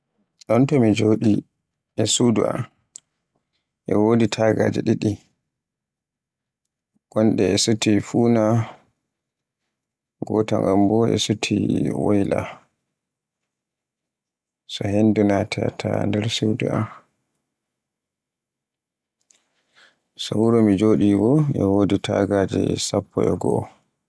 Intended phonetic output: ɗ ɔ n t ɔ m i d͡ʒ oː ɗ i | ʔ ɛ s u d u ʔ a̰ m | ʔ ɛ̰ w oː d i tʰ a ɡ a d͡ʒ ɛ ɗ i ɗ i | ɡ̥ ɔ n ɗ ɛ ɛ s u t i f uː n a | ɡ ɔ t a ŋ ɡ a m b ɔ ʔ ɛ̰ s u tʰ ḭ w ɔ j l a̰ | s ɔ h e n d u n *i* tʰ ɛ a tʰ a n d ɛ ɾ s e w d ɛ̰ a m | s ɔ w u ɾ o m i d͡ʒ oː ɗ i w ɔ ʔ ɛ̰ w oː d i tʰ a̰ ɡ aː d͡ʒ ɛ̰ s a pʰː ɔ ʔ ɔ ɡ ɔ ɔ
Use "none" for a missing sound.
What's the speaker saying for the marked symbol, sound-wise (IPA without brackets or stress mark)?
a